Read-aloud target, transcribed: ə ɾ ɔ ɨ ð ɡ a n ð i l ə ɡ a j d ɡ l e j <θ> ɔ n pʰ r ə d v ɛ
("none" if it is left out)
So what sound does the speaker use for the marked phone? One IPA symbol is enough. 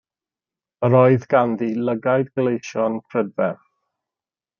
ʃ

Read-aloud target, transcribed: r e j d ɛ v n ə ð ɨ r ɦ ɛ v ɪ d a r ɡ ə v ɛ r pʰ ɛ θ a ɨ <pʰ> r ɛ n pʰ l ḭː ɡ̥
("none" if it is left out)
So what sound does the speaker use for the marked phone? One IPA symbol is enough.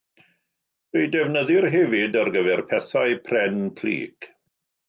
pʰ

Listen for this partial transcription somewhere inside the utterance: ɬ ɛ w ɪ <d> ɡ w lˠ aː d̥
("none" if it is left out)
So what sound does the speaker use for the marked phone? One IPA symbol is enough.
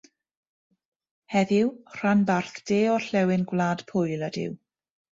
n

